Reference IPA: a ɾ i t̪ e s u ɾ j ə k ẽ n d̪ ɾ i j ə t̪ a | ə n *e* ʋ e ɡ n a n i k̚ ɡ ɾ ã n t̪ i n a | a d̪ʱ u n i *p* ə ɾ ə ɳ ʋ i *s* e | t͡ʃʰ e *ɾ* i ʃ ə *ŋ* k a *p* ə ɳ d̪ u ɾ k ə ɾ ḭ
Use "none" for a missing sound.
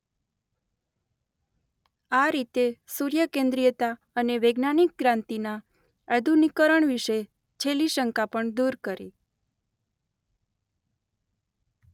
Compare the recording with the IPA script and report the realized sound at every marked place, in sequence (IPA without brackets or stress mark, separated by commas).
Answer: e, k, ʃ, l, ŋ, p